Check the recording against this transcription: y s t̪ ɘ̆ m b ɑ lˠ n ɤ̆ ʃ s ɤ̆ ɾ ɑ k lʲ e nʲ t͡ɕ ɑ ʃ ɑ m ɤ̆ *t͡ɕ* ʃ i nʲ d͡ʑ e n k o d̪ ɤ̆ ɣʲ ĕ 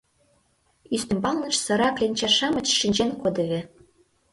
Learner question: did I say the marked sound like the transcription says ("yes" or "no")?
yes